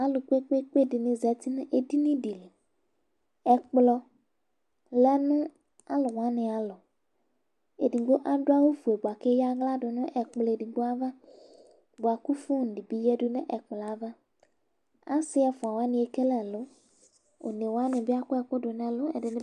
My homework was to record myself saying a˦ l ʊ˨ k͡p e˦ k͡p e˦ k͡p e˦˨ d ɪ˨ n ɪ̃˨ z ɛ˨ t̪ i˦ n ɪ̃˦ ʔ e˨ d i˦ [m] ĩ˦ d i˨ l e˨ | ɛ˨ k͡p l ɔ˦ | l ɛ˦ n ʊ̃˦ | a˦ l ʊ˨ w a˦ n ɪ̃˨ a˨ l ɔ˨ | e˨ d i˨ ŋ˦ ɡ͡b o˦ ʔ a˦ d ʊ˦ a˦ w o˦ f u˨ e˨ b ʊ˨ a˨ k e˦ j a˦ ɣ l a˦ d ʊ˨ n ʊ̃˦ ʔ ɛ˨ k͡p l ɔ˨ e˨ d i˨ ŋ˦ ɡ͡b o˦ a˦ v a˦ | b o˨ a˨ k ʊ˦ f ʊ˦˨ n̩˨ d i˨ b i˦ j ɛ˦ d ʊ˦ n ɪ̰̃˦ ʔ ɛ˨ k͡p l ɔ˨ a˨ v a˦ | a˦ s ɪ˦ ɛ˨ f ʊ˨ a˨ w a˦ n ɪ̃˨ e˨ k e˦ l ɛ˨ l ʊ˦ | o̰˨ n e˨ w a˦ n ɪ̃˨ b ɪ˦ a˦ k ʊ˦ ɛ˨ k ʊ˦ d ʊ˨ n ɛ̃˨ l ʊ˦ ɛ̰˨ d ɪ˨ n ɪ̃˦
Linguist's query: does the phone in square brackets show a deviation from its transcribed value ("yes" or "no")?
yes